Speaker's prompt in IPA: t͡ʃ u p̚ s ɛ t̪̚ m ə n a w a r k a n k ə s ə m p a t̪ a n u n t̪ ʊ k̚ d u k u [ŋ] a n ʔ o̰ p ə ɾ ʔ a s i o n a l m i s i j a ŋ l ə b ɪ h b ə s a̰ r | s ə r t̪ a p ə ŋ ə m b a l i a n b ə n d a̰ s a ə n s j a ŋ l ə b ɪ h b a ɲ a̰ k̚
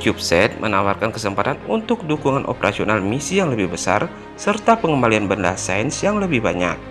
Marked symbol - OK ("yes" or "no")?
yes